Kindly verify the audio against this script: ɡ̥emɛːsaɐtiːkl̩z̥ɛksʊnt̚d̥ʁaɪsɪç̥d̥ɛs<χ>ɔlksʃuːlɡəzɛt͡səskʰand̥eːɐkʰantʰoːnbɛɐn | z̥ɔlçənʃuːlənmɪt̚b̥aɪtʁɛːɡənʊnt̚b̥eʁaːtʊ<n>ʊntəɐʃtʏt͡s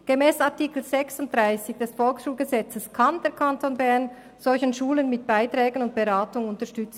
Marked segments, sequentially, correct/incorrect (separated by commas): incorrect, incorrect